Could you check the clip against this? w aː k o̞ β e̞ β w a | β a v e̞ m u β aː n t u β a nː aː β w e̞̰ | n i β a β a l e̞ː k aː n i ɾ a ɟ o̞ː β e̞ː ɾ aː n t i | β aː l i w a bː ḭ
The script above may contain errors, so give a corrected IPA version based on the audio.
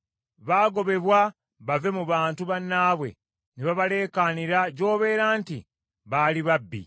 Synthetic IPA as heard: β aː ɡ o̞ β e̞ β w a | β a v e̞ m u β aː n t u β a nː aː β w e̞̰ | n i β a β a l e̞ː k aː n i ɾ a ɟ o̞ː β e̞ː ɾ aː n t i | β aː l i β a bː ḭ